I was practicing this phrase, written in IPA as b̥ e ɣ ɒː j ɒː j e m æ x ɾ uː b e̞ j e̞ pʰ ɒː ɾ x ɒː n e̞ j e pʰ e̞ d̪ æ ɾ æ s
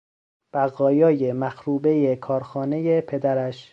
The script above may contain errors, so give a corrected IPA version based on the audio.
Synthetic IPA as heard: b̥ æ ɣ ɒː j ɒː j e m æ x ɾ uː b e̞ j e̞ kʰ ɒː ɾ x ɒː n e̞ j e pʰ e̞ d̪ æ ɾ æ ʃ